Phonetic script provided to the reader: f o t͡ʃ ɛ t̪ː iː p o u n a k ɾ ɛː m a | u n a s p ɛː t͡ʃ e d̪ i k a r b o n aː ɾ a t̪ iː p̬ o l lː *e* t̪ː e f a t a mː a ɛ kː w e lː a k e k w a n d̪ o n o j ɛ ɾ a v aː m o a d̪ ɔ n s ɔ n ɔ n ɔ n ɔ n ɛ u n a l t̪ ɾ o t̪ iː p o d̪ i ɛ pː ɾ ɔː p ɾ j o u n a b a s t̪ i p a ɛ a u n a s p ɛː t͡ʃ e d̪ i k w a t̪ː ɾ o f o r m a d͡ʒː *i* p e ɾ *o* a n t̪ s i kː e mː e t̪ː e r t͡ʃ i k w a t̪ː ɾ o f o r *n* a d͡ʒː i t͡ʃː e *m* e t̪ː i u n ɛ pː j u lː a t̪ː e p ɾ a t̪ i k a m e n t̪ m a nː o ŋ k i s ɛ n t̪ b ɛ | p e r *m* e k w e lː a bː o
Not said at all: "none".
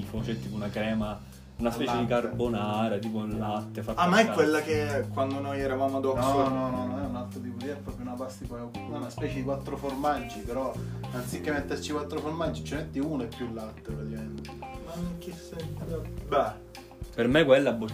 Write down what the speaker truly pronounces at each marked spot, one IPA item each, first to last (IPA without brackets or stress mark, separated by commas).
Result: a, i, ɔ, m, m, m